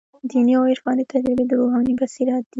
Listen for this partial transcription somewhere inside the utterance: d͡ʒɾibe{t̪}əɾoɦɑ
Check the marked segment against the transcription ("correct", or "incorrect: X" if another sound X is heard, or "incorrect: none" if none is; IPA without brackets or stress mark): incorrect: d̪